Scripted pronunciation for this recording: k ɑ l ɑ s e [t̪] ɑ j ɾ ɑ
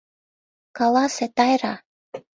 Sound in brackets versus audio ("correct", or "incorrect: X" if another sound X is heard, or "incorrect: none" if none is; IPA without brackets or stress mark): correct